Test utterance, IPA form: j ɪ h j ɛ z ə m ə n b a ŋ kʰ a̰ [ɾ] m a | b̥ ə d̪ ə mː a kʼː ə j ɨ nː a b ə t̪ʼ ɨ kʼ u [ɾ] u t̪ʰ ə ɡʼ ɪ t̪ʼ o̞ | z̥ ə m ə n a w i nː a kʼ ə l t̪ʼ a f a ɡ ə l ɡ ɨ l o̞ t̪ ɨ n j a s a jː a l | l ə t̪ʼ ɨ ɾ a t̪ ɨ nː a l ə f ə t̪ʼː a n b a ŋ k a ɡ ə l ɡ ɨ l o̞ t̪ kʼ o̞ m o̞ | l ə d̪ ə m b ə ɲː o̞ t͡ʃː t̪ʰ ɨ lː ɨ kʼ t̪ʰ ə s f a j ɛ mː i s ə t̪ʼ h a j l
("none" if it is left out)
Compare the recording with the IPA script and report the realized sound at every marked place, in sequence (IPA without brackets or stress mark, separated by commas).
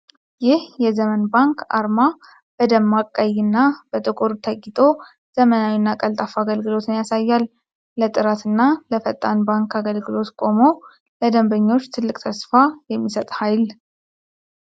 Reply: ɾ, ɾ